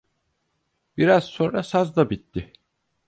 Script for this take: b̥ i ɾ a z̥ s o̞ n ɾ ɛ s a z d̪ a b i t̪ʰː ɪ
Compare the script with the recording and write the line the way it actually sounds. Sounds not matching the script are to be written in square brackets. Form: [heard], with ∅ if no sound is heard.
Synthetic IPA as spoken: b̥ i ɾ a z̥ s o̞ n ɾ [a] s a z d̪ a b i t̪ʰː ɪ